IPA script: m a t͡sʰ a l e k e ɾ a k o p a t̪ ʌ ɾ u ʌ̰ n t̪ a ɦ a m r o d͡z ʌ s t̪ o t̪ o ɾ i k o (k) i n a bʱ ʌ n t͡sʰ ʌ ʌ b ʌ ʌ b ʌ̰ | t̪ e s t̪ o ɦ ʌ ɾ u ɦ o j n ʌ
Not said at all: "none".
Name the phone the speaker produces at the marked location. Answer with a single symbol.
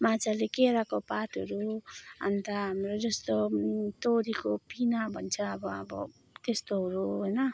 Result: p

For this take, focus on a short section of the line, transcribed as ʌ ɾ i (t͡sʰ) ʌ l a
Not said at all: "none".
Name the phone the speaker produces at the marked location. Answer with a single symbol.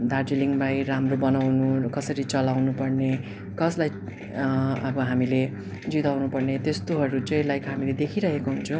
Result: t͡s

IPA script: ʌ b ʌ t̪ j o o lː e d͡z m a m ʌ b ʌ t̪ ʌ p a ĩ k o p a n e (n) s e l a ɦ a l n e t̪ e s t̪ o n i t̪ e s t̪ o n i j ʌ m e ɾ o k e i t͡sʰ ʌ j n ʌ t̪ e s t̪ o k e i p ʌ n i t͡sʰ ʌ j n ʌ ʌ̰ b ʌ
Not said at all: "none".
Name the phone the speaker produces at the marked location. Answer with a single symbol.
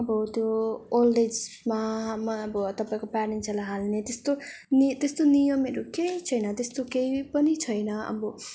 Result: n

